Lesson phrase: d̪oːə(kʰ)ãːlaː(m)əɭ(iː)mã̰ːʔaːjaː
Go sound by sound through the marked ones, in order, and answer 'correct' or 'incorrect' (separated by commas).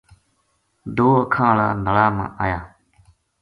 correct, incorrect, incorrect